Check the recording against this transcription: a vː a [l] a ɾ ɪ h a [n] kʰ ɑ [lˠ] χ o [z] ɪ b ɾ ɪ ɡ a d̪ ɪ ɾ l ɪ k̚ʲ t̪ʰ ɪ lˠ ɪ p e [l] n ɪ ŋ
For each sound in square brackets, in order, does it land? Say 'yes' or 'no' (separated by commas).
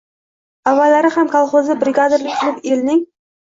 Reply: yes, no, yes, yes, yes